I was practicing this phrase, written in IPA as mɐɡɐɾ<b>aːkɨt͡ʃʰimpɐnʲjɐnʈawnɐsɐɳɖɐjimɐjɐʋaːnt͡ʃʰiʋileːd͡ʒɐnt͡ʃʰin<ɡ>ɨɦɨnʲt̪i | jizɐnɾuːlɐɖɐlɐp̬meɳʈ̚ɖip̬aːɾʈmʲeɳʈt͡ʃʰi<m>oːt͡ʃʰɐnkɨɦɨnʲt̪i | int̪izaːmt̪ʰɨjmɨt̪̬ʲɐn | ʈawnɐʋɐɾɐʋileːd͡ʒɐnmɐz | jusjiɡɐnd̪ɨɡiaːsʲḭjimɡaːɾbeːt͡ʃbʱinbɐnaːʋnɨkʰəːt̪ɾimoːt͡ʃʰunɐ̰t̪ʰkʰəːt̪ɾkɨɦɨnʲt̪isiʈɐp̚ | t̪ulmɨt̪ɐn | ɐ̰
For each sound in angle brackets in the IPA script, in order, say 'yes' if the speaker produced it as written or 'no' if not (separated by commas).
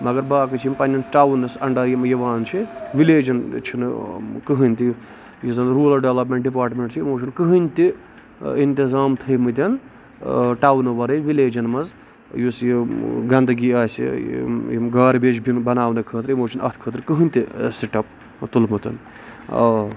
yes, no, yes